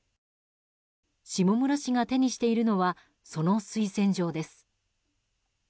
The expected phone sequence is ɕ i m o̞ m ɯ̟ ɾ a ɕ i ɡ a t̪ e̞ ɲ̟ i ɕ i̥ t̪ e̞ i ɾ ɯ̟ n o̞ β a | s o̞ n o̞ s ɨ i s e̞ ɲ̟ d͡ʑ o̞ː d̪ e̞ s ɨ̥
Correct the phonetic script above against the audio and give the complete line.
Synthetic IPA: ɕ i m o̞ m ɯ̟ ɾ a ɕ i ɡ a t̪ e̞ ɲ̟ i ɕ i̥ t̪ e̞ i ɾ ɯ̟ n o̞ β a | s o̞ n o̞ s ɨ i s ẽ̞ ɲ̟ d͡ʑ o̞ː d̪ e̞ s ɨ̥